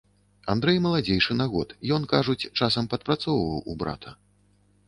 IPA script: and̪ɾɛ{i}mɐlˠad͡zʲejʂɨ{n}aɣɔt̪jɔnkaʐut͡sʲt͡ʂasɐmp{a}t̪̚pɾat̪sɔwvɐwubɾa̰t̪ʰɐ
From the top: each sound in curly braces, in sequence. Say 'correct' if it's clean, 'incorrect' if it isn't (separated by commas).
incorrect, correct, incorrect